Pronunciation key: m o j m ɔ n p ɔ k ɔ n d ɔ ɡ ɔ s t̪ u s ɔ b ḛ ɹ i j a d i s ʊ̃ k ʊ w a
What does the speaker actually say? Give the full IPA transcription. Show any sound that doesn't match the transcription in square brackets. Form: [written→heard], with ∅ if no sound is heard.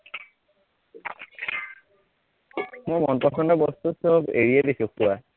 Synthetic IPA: m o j m ɔ n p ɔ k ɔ n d ɔ [ɡ→b] ɔ s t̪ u s ɔ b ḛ ɹ i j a d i s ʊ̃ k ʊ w a